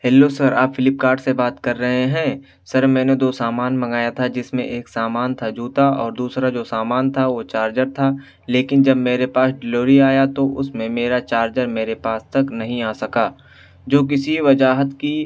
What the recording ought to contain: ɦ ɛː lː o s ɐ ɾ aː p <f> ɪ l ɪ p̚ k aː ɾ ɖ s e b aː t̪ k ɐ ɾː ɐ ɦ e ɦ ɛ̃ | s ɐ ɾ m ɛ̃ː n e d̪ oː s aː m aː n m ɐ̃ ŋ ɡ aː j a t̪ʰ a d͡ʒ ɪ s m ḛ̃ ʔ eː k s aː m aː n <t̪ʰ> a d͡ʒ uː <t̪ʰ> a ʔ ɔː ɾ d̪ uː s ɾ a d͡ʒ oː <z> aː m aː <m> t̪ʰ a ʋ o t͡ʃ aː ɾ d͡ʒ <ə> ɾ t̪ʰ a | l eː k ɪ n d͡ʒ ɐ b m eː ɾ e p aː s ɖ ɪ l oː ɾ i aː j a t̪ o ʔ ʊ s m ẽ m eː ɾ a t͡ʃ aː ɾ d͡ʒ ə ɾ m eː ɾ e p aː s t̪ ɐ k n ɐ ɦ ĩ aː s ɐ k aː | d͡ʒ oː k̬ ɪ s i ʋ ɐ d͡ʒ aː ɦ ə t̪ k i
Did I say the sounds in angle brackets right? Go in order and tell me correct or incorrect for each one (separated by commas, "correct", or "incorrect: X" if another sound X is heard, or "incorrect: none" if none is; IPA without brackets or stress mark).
correct, correct, incorrect: t̪, incorrect: s, incorrect: n, correct